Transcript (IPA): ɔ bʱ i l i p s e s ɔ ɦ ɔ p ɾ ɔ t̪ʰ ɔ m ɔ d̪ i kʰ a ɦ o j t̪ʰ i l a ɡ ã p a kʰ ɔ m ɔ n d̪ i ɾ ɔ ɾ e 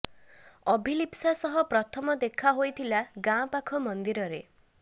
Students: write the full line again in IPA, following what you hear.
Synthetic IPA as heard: ɔ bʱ i l i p s a s ɔ ɦ ɔ p ɾ ɔ t̪ʰ ɔ m ɔ d̪ e kʰ a ɦ o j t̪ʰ i l a ɡ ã p a kʰ ɔ m ɔ n d̪ i ɾ ɔ ɾ e